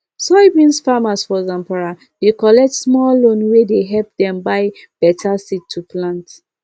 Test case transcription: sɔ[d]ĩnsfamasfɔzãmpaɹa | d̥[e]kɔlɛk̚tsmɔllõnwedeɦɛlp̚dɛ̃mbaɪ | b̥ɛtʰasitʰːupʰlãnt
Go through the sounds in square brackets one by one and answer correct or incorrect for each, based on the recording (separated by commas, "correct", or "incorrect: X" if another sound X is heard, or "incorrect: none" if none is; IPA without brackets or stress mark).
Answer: incorrect: b, correct